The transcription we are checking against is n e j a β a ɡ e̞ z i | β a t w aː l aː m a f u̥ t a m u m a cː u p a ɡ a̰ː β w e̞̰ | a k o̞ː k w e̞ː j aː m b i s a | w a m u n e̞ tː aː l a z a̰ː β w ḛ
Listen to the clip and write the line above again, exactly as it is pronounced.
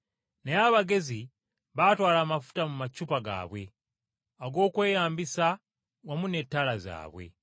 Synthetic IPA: n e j a β a ɡ e̞ z i | β a t w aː l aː m a f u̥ t a m u m a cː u p a ɡ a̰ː β w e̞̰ | a ɡ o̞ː k w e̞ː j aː m b i s a | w a m u n e̞ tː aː l a z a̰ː β w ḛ